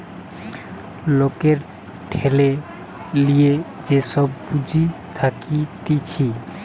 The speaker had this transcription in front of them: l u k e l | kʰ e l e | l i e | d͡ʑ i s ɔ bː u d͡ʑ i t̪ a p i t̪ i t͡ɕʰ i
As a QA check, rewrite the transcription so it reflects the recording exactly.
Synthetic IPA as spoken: l o k e ɾ | ʈʰ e l e | l i e | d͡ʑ e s ɔ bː u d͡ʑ i t̪ʰ a k i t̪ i t͡ɕʰ i